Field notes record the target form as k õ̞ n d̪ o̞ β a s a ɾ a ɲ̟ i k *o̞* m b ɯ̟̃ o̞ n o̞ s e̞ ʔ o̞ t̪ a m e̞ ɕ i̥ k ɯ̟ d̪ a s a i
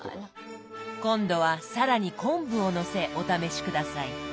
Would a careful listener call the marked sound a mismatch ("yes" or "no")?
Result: yes